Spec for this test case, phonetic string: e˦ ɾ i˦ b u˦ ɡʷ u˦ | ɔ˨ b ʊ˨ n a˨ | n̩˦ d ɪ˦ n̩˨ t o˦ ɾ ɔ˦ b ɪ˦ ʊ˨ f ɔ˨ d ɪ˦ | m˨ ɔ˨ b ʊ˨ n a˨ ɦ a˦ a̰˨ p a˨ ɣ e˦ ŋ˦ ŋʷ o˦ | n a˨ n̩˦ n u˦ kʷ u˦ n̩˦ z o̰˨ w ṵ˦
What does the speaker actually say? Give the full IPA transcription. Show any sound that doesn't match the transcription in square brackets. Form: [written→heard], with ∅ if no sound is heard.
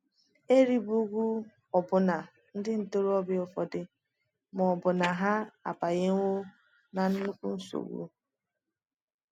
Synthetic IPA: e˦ ɾ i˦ b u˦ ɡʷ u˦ | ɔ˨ b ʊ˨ n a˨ | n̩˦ d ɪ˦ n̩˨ t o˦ ɾ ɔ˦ b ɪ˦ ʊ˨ f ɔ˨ d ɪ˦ | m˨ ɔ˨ b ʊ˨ n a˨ ɦ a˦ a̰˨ p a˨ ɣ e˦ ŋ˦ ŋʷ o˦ | n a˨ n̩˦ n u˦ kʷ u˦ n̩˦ [z→s] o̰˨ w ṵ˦